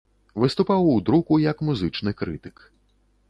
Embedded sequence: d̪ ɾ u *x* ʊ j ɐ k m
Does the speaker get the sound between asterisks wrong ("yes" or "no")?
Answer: yes